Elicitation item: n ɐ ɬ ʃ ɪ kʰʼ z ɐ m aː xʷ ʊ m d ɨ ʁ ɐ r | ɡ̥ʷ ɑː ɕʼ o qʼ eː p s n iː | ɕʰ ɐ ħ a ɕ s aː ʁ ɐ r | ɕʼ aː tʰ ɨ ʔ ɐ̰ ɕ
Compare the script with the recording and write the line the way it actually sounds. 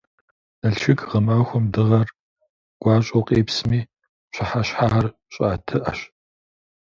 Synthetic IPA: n ɐ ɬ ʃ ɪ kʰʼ ʁ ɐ m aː xʷ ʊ m d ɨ ʁ ɐ r | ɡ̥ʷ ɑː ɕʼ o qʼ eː p s m iː | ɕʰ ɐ ħ a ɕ ħ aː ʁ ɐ r | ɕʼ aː tʰ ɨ ʔ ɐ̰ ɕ

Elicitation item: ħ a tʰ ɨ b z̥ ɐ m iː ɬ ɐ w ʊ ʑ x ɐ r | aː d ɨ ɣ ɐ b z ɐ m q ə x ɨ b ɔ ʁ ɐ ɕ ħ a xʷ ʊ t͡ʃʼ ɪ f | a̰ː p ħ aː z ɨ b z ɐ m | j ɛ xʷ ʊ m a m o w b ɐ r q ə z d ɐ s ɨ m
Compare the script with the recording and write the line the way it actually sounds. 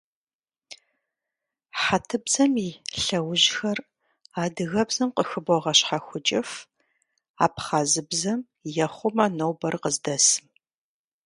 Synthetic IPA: ħ a tʰ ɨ b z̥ ɐ m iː ɬ ɐ w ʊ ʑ x ɐ r | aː d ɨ ɣ ɐ b z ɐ m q ə x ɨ b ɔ ʁ ɐ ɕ ħ a xʷ ʊ t͡ʃʼ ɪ f | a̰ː p χ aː z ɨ b z ɐ m | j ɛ χʷ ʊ m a n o w b ɐ r q ə z d ɐ s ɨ m

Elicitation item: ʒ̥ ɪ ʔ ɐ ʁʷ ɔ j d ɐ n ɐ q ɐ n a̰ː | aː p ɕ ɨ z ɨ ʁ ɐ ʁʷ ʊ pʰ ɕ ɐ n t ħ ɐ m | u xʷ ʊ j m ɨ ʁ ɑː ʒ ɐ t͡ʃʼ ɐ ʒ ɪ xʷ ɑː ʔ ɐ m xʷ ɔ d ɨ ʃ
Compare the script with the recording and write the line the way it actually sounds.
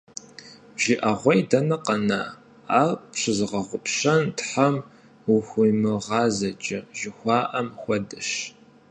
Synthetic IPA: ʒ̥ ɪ ʔ ɐ ʁʷ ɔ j d ɐ n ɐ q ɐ n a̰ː | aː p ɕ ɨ z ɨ ʁ ɐ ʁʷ ʊ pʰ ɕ ɐ n t ħ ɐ m | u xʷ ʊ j m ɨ ʁ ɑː z ɐ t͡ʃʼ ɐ ʒ ɪ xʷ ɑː ʔ ɐ m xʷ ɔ d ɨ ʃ

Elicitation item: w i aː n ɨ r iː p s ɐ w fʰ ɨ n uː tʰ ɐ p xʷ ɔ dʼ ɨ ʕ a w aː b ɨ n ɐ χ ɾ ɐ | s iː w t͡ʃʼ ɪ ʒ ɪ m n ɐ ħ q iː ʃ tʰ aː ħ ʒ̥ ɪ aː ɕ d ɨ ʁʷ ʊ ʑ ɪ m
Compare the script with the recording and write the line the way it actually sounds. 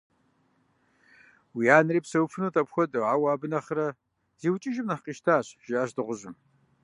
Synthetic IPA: w i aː n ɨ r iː p s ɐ w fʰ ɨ n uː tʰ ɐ p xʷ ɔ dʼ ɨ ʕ a w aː b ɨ n ɐ χ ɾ ɐ | z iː w t͡ʃʼ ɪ ʒ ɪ m n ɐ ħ q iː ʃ tʰ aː ɕ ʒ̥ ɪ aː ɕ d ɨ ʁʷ ʊ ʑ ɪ m

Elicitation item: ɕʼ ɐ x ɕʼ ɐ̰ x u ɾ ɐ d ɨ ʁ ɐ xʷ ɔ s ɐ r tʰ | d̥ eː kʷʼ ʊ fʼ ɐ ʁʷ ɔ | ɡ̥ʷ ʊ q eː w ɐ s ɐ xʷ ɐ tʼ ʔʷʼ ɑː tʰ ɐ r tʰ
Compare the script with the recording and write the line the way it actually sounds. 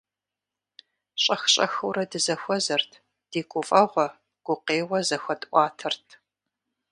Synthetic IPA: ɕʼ ɐ x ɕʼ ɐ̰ x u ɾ ɐ d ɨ z ɐ xʷ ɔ z ɐ r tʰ | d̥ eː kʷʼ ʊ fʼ ɐ ʁʷ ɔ | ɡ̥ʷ ʊ q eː w ɐ z ɐ xʷ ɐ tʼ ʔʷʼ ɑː tʰ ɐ r tʰ

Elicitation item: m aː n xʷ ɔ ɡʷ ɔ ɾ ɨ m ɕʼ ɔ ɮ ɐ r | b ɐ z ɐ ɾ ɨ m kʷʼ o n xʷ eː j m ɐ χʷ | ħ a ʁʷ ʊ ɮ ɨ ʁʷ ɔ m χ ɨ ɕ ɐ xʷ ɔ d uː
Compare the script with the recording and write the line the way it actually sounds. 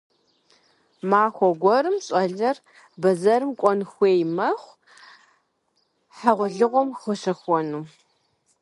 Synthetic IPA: m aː xʷ ɔ ɡʷ ɔ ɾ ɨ m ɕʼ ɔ ɮ ɐ r | b ɐ z ɐ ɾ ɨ m kʷʼ ɔ n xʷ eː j m ɐ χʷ | ħ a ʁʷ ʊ ɮ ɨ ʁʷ ɔ m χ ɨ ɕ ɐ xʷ ɔ n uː

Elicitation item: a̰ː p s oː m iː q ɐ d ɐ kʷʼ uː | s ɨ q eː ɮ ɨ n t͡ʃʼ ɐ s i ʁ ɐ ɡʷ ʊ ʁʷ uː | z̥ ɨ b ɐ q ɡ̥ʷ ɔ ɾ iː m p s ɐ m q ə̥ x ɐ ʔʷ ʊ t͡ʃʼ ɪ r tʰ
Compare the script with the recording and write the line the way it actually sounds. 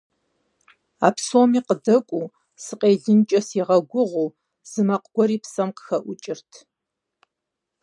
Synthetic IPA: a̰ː p s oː m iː q ə d ɐ kʷʼ uː | s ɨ q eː ɮ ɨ n t͡ʃʼ ɐ s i ʁ ɐ ɡʷ ʊ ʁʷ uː | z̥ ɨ m ɐ q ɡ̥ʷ ɔ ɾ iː p s ɐ m q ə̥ x ɐ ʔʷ ʊ t͡ʃʼ ɪ r tʰ

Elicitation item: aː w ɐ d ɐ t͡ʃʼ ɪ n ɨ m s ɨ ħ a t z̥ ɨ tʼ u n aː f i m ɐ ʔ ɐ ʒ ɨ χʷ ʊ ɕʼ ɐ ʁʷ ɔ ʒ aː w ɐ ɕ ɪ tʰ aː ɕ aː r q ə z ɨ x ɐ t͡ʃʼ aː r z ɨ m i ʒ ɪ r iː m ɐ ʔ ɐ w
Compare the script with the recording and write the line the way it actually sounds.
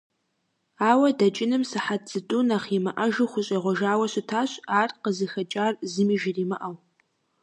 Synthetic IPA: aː w ɐ d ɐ t͡ʃʼ ɪ n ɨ m s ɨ ħ a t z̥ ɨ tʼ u n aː χ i m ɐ ʔ ɐ ʒ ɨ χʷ ʊ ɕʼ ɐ ʁʷ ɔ ʒ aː w ɐ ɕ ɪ tʰ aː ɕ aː r q ə z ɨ x ɐ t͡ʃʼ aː r z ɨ m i ʒ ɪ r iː m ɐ ʔ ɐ w

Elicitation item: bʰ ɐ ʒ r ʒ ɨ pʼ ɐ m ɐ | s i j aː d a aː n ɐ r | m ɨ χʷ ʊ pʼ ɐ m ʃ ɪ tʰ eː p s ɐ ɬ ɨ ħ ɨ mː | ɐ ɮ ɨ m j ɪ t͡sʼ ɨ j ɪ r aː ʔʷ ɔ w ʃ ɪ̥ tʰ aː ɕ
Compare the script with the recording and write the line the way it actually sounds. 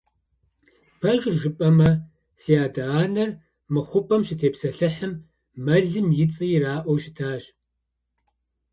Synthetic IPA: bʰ ɐ ʒ r ʒ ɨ pʼ ɐ m ɐ | s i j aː d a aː n ɐ r | m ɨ χʷ ʊ pʼ ɐ m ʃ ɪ tʰ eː p s ɐ ɬ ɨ ħ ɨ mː | ɐ ɮ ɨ m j ɪ t͡sʼ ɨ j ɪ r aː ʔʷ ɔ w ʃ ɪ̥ tʰ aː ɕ

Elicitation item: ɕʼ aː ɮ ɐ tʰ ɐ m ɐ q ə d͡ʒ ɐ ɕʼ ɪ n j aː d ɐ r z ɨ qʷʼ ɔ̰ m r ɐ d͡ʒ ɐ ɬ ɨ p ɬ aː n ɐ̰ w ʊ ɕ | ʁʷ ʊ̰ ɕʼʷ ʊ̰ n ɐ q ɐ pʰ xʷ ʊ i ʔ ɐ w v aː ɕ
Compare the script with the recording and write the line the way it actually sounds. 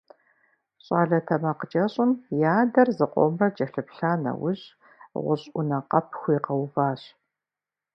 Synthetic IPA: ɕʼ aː ɮ ɐ tʰ ɐ m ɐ q ə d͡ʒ ɐ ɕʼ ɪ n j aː d ɐ r z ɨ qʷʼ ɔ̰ m r ɐ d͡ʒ ɐ ɬ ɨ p ɬ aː n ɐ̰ w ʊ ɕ | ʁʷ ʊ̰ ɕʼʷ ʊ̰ n ɐ q ɐ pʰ xʷ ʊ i q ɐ w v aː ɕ

